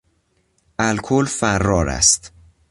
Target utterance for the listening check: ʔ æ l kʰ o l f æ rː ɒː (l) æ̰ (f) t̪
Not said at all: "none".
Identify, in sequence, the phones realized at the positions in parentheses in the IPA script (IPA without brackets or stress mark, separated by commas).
ɾ, s